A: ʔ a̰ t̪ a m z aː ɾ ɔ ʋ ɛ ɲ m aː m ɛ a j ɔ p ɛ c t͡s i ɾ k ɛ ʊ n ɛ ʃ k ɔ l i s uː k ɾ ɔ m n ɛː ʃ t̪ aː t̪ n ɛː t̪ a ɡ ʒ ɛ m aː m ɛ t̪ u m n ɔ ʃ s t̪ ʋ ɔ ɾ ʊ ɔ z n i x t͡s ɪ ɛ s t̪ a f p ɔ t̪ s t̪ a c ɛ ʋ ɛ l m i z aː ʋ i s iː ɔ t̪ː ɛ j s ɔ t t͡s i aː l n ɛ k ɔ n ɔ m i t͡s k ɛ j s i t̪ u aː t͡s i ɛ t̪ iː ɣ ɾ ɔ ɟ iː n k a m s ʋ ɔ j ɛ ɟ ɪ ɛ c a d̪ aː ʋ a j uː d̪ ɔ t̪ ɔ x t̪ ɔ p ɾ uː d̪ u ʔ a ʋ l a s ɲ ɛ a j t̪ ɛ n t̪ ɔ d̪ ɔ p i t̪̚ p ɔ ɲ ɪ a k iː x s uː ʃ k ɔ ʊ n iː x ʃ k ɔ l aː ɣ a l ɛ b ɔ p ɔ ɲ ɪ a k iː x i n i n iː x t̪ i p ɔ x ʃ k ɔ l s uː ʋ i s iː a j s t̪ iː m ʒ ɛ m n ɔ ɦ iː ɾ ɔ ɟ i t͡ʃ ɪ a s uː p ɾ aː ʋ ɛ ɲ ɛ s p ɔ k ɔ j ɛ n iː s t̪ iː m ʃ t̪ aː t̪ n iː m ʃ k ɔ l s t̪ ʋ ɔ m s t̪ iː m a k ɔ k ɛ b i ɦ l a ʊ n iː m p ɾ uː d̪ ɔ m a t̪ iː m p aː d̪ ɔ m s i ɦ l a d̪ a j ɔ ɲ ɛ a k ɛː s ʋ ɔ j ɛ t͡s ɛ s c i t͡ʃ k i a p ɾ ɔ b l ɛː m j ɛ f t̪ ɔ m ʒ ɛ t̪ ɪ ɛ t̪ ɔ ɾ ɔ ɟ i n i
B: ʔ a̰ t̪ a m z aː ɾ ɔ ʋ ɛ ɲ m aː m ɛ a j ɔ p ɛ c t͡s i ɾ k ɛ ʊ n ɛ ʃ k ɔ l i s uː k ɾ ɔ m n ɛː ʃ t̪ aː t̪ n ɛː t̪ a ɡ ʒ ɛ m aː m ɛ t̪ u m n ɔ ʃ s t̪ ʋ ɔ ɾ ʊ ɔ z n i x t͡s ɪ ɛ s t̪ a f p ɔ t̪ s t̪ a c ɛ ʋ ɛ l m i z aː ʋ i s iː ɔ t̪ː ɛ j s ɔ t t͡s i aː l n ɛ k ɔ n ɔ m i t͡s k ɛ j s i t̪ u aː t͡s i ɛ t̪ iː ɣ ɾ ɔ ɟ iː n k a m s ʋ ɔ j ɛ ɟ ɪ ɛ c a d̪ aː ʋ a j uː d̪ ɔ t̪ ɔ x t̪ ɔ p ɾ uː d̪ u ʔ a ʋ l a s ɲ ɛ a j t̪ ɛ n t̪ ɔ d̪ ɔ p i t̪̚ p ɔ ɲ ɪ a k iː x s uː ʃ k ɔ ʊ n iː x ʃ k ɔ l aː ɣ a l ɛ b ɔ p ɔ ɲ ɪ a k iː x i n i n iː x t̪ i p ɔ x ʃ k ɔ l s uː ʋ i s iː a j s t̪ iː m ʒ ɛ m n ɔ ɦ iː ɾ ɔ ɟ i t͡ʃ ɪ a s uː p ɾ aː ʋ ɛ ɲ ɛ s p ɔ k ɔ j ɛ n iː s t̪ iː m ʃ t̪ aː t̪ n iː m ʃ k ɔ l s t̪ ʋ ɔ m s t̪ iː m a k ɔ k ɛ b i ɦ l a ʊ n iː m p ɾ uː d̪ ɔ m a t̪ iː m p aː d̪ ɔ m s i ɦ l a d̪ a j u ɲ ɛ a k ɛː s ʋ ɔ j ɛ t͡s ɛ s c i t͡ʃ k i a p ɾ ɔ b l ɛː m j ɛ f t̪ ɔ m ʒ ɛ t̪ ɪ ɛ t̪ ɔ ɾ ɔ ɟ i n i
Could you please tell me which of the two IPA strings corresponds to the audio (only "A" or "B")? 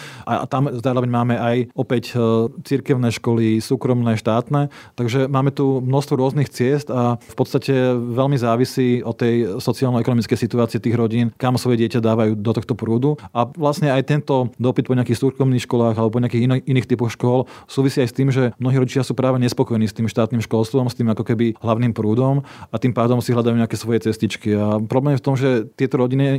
B